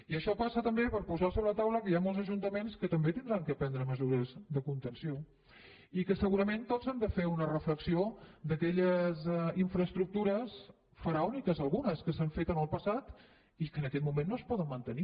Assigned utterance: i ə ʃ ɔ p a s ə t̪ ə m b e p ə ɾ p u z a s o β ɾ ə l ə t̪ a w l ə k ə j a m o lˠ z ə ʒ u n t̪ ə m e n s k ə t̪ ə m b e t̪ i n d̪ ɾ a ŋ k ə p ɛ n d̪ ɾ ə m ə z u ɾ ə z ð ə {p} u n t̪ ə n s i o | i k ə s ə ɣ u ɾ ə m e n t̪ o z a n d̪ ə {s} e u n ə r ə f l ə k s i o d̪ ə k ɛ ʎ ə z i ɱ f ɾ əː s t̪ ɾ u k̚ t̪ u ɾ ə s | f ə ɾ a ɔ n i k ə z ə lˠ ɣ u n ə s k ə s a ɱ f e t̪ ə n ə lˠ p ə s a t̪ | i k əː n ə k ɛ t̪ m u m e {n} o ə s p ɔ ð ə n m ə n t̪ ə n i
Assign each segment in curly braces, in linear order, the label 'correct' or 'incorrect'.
incorrect: k, incorrect: f, incorrect: nː

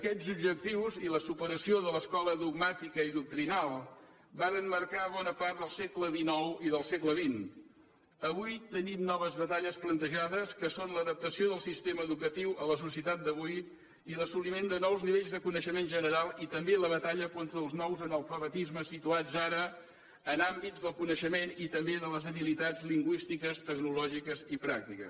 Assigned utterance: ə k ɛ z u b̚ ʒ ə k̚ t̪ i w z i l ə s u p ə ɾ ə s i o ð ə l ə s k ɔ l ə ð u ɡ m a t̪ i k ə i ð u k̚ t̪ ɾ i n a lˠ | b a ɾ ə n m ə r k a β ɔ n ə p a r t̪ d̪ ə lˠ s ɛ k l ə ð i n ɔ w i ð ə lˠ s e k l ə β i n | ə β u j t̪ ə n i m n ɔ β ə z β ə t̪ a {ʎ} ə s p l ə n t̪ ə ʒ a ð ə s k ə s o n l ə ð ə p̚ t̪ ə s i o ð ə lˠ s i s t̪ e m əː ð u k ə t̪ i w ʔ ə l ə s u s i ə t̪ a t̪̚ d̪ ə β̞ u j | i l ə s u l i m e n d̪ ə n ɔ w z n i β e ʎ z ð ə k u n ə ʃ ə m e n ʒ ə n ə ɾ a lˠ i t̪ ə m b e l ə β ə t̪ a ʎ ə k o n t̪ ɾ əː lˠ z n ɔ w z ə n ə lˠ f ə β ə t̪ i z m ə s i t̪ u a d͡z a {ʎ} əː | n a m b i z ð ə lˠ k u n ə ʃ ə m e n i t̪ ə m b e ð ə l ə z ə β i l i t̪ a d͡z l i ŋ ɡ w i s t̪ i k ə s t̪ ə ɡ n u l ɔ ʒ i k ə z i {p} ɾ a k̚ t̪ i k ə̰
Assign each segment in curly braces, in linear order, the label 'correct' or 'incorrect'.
correct, incorrect: ɾ, correct

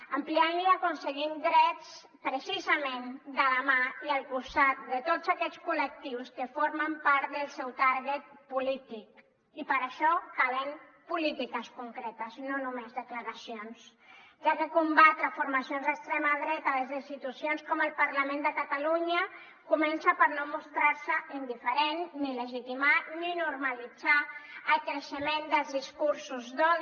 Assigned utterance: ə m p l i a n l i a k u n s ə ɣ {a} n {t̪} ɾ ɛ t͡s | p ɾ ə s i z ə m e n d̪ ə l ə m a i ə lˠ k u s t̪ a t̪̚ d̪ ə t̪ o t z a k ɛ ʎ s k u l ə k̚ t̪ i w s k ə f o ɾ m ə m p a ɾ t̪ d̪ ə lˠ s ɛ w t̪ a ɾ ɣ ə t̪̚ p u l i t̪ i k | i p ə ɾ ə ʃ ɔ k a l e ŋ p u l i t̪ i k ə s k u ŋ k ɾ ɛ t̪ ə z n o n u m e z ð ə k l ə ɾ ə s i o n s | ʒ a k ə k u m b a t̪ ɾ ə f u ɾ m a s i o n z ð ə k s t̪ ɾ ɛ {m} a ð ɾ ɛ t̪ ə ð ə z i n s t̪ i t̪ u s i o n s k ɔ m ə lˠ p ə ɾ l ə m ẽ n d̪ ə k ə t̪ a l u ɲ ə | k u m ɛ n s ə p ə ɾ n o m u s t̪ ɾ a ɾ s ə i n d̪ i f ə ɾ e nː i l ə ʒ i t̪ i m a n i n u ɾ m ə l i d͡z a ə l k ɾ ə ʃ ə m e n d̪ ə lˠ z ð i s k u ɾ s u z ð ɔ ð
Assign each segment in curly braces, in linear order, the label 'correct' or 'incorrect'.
incorrect: i, incorrect: d̪, correct

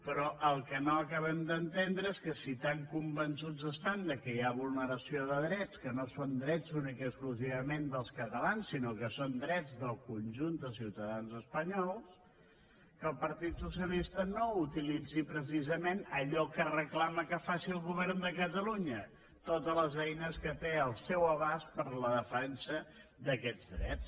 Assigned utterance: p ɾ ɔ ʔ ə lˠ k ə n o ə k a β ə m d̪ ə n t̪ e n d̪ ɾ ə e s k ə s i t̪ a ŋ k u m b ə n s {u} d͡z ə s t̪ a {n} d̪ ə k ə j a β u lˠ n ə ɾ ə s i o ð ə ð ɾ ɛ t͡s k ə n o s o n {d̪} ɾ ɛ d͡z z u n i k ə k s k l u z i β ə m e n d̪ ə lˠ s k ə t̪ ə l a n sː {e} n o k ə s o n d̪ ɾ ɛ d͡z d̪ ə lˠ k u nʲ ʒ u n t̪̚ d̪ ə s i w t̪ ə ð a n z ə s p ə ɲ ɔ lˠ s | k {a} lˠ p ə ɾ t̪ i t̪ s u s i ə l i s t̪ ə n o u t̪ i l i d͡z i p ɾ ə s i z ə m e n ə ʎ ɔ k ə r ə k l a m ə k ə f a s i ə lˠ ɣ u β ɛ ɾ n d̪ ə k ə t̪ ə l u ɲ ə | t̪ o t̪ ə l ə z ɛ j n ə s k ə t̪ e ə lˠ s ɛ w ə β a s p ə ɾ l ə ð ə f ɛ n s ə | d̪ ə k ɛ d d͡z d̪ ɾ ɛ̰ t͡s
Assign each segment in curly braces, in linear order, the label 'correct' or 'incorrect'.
correct, correct, correct, incorrect: i, incorrect: ə

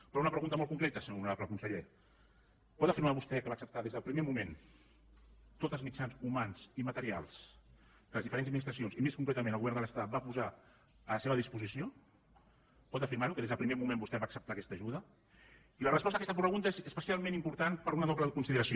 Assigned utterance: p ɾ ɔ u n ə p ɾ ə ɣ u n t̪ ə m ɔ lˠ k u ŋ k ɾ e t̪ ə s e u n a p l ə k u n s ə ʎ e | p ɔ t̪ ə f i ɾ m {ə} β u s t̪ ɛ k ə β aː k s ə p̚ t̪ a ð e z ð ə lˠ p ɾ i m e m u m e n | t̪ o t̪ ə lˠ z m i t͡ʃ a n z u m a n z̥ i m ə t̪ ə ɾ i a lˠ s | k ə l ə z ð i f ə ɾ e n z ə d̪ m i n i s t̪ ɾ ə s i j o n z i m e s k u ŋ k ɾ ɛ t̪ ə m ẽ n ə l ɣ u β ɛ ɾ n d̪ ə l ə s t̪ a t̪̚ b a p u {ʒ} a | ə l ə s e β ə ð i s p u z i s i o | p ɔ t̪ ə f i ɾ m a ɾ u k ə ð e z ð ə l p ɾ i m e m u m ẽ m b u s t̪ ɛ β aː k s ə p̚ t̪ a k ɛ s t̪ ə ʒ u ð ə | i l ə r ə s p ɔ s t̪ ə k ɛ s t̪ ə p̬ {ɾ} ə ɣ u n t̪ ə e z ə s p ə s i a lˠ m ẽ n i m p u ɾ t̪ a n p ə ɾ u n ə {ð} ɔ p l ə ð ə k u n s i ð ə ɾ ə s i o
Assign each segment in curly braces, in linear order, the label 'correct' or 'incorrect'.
incorrect: a, incorrect: z, correct, correct

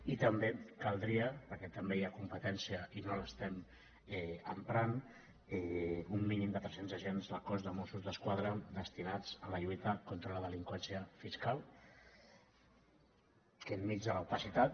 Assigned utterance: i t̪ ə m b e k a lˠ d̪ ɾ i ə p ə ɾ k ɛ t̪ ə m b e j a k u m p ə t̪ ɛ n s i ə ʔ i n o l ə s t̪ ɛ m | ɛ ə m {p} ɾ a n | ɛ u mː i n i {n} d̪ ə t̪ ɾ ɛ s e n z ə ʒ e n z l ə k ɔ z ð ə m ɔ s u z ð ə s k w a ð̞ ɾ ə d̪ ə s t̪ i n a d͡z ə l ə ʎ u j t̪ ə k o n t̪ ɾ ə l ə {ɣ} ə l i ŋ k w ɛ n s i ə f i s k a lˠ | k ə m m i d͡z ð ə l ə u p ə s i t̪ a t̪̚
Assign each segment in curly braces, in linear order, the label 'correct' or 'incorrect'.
correct, incorrect: m, incorrect: ð

